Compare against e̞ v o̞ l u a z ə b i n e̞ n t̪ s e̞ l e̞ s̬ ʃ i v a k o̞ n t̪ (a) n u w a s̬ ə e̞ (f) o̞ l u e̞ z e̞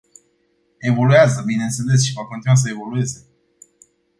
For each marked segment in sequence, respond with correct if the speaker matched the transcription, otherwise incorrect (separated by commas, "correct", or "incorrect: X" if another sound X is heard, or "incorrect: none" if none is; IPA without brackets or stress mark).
incorrect: i, incorrect: v